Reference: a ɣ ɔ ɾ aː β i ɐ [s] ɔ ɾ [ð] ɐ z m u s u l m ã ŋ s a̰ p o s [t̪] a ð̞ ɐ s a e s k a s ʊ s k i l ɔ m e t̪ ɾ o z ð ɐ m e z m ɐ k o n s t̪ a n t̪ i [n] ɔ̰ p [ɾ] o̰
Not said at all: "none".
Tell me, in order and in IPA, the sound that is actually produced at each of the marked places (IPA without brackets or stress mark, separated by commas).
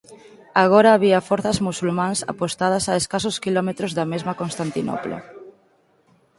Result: f, θ, t̪, n, l